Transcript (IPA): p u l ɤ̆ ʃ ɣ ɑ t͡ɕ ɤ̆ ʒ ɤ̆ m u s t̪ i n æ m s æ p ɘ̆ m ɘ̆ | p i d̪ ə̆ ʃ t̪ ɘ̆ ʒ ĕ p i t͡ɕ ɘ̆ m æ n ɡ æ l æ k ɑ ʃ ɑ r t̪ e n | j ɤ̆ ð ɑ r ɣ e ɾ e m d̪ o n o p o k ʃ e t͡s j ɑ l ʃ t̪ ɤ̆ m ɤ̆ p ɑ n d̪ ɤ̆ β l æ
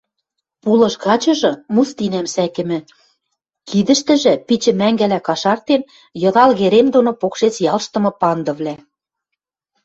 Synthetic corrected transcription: p u l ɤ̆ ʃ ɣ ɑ t͡ɕ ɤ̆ ʒ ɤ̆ m u s t̪ i n æ m s æ k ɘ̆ m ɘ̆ | k i d̪ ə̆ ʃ t̪ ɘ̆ ʒ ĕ p i t͡ɕ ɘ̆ m æ ŋ ɡ æ l æ k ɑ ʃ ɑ r t̪ e n | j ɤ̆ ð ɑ l ɣ e ɾ e m d̪ o n o p o k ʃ e t͡s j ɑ l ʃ t̪ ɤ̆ m ɤ̆ p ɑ n d̪ ɤ̆ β l æ